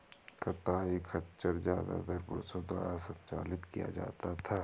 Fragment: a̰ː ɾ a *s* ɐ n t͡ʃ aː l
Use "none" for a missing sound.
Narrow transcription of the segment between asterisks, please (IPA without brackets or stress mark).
s